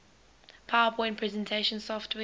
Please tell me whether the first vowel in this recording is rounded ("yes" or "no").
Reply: no